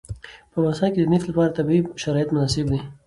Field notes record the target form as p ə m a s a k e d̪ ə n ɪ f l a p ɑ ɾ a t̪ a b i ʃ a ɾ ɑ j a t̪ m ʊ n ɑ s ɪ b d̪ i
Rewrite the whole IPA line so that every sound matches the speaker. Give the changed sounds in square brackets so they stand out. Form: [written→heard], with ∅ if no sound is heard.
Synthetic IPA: p ə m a s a k e d̪ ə n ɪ f l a p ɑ ɾ a t̪ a b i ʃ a ɾ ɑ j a t̪ m ʊ n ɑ s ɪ b d̪ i